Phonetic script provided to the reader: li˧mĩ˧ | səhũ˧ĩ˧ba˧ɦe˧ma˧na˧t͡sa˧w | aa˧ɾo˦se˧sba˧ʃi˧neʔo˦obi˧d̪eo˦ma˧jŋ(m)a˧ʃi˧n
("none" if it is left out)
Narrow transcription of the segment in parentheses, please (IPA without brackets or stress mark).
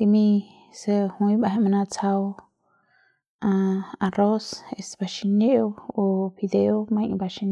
b